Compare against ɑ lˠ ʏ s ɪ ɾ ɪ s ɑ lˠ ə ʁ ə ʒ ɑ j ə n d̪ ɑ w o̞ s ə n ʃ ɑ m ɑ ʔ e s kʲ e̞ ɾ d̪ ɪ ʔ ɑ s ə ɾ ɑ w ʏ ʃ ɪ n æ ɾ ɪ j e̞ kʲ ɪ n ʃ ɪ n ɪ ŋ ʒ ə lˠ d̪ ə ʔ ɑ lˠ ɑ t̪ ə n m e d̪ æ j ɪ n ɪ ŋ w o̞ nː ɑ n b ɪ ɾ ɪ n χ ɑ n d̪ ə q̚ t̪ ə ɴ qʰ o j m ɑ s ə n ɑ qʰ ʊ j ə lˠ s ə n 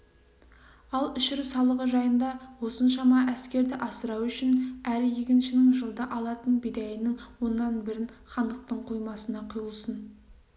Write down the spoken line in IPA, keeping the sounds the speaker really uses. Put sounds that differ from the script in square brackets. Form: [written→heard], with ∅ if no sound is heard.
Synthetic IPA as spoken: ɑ lˠ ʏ [s→ʃ] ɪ ɾ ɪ s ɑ lˠ ə ʁ ə ʒ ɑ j ə n d̪ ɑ w o̞ s ə n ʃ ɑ m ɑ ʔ [e→æ] s kʲ e̞ ɾ d̪ ɪ ʔ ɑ s ə ɾ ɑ w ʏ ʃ ɪ n æ ɾ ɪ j e̞ kʲ ɪ n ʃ ɪ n ɪ ŋ ʒ ə lˠ d̪ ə ʔ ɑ lˠ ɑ t̪ ə n [m→b] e d̪ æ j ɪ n ɪ ŋ w o̞ nː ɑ n b ɪ ɾ ɪ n χ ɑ n d̪ ə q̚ t̪ ə ɴ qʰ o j m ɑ s ə n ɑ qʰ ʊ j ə lˠ s ə n

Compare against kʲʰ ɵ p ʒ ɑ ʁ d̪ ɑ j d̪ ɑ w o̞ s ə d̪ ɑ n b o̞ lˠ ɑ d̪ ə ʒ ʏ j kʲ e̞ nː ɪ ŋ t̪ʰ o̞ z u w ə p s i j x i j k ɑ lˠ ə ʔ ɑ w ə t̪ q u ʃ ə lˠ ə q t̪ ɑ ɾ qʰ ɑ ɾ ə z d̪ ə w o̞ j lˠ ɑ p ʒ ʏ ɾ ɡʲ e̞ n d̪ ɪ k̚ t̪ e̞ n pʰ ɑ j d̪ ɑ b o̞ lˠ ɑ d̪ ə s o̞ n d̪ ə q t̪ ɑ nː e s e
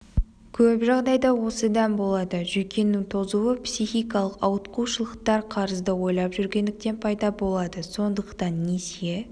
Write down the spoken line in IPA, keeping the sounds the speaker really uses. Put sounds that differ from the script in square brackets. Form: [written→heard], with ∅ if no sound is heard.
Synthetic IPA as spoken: kʲʰ ɵ p ʒ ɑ ʁ d̪ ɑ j d̪ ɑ w o̞ s ə d̪ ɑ n b o̞ lˠ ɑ d̪ ə ʒ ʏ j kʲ e̞ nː ɪ ŋ t̪ʰ o̞ z u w ə p s i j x i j k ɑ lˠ ə [ʔ→q] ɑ w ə t̪ q u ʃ ə lˠ ə q t̪ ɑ ɾ qʰ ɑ ɾ ə z d̪ ə w o̞ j lˠ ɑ p ʒ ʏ ɾ ɡʲ e̞ n d̪ ɪ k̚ t̪ e̞ n pʰ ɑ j d̪ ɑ b o̞ lˠ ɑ d̪ ə s o̞ n d̪ ə q t̪ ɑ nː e s e

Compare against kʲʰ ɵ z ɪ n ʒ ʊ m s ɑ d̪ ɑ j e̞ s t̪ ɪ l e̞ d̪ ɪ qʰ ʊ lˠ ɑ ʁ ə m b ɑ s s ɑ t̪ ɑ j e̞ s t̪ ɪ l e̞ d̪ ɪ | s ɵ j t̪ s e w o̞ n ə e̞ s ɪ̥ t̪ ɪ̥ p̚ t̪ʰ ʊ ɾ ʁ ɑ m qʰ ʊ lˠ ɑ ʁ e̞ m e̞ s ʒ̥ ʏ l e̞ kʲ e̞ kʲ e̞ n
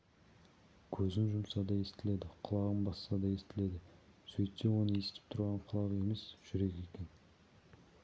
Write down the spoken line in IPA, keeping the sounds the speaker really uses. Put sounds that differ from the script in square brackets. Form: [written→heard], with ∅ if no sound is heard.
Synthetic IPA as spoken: kʲʰ ɵ z ɪ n ʒ ʊ m s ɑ d̪ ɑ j e̞ s t̪ ɪ l e̞ d̪ ɪ qʰ ʊ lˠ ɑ ʁ ə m b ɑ s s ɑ [t̪→d̪] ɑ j e̞ s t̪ ɪ l e̞ d̪ ɪ | s ɵ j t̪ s e w o̞ n ə e̞ s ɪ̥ t̪ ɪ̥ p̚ t̪ʰ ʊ ɾ ʁ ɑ [m→ɴ] qʰ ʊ lˠ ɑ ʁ e̞ m e̞ s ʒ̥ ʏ [l→ɾ] e̞ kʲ e̞ kʲ e̞ n

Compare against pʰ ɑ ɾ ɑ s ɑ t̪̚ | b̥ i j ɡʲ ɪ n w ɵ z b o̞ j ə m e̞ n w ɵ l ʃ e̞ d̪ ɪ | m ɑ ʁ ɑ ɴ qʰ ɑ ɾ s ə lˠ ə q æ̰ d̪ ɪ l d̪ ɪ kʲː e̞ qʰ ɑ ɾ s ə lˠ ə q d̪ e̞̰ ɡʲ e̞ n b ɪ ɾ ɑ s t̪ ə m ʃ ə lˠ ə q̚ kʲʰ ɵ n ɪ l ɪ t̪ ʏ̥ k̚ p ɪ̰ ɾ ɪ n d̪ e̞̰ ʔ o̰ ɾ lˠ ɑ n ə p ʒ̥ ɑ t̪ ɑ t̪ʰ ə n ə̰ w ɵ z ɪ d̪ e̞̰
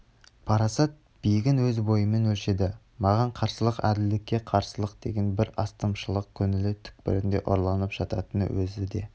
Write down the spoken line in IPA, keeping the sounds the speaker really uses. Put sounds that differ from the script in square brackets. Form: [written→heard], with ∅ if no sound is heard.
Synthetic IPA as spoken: pʰ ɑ ɾ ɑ s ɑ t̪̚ | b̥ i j ɡʲ ɪ n w ɵ z b o̞ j ə m e̞ n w ɵ l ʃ e̞ d̪ ɪ | m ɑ ʁ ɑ ɴ qʰ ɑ ɾ s ə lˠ ə q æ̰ d̪ ɪ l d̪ ɪ kʲː e̞ qʰ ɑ ɾ s ə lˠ ə q d̪ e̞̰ ɡʲ e̞ n b ɪ ɾ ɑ s t̪ ə m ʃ ə lˠ ə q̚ kʲʰ ɵ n ɪ l ɪ [t̪→t̪ʰ] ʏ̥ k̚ p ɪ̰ ɾ ɪ n d̪ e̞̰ ʔ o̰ ɾ lˠ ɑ n ə p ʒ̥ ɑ t̪ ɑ [t̪ʰ→t̪] ə n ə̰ w ɵ z ɪ d̪ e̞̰

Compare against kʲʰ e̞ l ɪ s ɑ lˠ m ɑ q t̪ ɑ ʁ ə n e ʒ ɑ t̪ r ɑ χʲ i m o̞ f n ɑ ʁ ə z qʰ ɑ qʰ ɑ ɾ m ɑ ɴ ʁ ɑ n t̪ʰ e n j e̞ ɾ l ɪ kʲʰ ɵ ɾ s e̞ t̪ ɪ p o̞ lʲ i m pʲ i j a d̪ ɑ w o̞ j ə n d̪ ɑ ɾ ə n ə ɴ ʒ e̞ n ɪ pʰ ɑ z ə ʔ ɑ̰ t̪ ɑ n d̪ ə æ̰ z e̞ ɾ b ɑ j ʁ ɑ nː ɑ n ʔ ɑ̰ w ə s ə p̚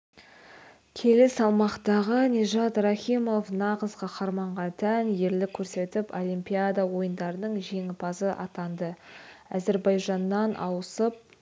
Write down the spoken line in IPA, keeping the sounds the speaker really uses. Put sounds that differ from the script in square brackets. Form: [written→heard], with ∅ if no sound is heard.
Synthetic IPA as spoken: kʲʰ e̞ l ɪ s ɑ lˠ m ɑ q t̪ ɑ ʁ ə n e ʒ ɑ t̪ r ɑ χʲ i m o̞ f n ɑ ʁ ə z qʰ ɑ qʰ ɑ ɾ m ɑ ɴ ʁ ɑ n t̪ʰ [e→æ] n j e̞ ɾ l ɪ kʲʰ ɵ ɾ s e̞ t̪ ɪ p o̞ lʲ i m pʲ i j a d̪ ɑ w o̞ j ə n d̪ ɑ ɾ ə n ə ɴ ʒ e̞ [n→ŋ] ɪ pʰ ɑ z ə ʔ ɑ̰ t̪ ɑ n d̪ ə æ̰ z e̞ ɾ b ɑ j [ʁ→ʒ] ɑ nː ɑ n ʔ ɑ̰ w ə s ə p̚

